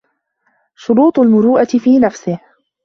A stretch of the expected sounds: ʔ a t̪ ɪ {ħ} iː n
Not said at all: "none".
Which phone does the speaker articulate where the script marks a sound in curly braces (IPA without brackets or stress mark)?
f